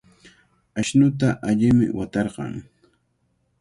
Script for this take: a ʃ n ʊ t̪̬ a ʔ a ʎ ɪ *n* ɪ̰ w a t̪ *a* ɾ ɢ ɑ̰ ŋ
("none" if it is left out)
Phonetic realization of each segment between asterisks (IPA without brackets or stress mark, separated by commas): m, ɑ